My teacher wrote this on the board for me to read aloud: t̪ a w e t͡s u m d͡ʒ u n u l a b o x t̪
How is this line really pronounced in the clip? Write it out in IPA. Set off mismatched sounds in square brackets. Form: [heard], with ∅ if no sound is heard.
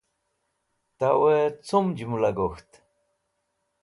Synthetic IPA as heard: t̪ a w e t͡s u m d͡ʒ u [m] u l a [ɡ] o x t̪